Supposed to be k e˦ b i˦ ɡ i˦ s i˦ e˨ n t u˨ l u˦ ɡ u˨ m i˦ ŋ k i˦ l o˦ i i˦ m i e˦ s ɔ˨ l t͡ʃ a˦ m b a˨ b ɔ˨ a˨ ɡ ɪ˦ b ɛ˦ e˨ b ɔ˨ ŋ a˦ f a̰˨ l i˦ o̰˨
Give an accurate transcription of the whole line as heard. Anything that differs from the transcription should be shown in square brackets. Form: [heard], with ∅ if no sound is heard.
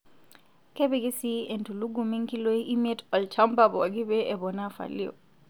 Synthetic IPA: k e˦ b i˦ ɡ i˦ s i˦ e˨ n t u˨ l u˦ ɡ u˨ m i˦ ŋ k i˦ l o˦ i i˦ m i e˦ [t] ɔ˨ l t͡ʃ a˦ m b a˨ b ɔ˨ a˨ ɡ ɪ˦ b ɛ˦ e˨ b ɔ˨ [n] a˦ f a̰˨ l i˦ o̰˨